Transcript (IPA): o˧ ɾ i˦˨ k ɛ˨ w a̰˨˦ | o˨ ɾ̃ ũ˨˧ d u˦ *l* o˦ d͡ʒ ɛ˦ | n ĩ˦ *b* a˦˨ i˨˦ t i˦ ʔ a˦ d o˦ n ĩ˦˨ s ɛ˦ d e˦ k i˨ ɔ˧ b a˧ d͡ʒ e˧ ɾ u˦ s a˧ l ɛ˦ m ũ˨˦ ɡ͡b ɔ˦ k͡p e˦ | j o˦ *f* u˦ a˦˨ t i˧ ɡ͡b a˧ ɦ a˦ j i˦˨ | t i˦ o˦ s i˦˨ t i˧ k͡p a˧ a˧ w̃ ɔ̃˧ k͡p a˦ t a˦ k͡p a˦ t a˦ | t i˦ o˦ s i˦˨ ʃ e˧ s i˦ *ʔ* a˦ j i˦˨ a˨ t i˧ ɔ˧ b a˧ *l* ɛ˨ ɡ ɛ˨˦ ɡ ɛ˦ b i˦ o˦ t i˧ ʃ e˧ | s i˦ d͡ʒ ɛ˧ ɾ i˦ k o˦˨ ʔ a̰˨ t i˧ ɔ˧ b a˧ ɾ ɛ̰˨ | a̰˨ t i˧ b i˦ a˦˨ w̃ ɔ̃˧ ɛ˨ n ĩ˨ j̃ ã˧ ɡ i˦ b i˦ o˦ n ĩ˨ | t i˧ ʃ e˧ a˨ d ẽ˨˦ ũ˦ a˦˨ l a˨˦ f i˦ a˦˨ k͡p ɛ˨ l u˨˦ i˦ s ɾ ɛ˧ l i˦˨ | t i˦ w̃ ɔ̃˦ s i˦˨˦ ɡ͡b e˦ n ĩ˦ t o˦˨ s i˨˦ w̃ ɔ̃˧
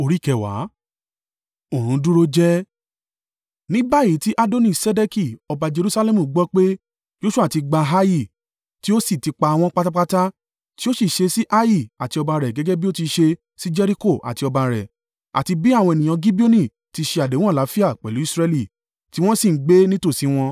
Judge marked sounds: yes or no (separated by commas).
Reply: no, yes, no, yes, no